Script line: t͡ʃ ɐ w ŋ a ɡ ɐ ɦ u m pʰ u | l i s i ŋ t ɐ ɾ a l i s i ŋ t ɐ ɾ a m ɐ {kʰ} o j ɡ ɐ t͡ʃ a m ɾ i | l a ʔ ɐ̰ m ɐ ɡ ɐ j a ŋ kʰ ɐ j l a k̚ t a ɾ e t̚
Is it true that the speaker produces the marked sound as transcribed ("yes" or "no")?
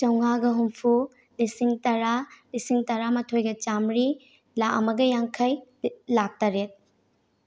no